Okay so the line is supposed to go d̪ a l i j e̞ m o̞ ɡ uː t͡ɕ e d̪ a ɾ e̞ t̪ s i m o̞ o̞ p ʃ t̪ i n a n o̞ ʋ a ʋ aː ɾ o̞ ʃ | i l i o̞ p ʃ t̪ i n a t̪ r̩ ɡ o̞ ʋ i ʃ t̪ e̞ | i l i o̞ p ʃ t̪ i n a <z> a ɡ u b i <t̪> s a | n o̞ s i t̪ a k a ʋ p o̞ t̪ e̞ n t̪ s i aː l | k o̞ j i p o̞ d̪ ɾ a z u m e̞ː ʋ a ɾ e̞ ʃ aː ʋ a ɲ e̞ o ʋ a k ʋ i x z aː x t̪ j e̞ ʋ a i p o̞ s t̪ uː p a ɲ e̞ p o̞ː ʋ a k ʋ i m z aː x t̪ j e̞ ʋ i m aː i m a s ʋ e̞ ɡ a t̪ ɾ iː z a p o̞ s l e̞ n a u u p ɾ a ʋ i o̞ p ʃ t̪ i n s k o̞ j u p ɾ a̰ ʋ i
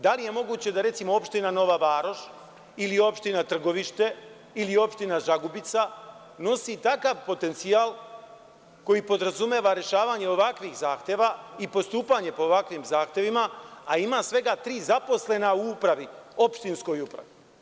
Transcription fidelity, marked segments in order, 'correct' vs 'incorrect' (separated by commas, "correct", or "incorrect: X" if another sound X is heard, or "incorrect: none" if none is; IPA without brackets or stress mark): incorrect: ʒ, correct